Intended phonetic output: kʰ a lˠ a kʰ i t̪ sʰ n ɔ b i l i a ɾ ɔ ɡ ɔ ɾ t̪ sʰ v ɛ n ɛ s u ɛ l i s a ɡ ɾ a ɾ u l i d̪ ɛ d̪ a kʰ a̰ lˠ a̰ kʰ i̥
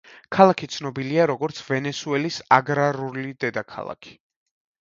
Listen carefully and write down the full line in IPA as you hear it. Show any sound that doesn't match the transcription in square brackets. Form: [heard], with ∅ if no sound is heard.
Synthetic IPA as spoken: kʰ a lˠ a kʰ i t̪ sʰ n ɔ b i l i a ɾ ɔ ɡ ɔ ɾ t̪ sʰ v ɛ n ɛ s u ɛ l i s a ɡ ɾ a ɾ u l i d̪ ɛ d̪ a kʰ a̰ lˠ a̰ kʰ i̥